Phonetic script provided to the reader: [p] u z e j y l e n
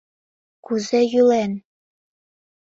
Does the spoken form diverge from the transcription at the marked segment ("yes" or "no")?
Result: yes